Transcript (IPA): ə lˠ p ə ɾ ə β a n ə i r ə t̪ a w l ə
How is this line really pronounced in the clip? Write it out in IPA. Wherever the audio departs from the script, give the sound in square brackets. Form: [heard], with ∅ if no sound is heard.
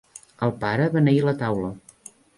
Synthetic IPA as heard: ə lˠ p [a] ɾ ə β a n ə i [l] ə t̪ a w l ə